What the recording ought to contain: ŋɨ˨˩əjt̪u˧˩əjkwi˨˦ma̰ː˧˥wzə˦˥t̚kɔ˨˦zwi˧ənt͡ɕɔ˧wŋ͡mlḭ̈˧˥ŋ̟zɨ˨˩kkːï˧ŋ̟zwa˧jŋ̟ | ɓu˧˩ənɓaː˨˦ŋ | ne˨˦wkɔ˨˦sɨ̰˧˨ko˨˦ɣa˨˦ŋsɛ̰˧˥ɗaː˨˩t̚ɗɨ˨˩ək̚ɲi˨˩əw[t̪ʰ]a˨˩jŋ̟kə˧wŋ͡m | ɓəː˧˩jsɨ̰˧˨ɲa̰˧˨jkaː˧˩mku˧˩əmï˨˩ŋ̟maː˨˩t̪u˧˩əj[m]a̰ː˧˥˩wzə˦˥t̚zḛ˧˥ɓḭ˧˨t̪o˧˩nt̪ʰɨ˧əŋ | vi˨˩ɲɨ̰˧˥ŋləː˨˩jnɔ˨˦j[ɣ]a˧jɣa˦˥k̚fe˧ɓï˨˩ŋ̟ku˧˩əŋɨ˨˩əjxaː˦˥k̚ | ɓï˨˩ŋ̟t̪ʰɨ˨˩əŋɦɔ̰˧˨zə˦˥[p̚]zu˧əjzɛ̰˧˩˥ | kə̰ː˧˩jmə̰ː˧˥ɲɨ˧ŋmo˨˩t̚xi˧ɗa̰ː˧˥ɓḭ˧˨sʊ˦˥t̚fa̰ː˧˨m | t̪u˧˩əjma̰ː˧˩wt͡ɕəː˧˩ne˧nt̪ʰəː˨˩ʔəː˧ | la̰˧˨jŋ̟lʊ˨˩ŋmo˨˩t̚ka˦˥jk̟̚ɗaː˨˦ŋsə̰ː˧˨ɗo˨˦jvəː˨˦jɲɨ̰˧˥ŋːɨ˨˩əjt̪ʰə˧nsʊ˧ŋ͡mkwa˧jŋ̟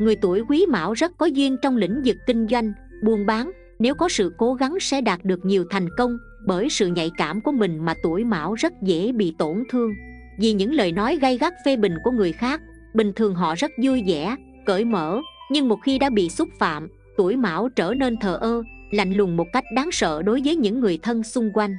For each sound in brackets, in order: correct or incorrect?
correct, correct, correct, incorrect: t̚

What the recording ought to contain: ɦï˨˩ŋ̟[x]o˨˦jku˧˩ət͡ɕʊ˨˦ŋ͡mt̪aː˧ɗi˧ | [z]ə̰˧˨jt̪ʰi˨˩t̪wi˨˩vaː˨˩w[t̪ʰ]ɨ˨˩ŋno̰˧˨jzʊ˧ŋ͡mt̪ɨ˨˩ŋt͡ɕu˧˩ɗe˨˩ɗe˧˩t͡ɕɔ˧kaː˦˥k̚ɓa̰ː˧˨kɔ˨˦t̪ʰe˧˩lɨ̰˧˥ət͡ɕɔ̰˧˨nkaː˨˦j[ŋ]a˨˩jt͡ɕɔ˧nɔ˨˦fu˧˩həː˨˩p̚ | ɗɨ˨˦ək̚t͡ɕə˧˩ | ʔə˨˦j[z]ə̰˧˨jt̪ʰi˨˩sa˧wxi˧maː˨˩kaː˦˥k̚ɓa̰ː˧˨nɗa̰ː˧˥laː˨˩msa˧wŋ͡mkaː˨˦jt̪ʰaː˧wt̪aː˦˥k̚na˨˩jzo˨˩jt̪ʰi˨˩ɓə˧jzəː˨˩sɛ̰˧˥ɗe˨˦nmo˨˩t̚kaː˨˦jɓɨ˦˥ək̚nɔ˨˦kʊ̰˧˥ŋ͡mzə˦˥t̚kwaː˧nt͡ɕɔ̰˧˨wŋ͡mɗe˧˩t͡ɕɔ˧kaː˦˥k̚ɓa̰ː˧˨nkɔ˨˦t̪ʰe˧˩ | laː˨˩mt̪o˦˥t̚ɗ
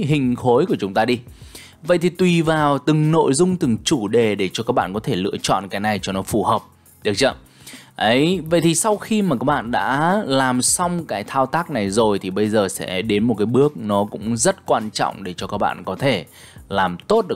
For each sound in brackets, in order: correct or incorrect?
correct, incorrect: v, incorrect: t̪, incorrect: n, incorrect: v

